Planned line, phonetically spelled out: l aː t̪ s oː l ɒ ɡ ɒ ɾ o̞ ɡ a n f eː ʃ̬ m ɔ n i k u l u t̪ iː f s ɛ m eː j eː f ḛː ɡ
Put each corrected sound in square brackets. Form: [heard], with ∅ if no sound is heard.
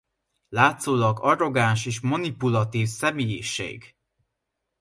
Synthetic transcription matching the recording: l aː t̪ s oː l ɒ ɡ ɒ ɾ o̞ ɡ a n [ʃ] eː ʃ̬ m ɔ n i [p] u l [ɒ] t̪ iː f s ɛ m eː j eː [ʃ] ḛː ɡ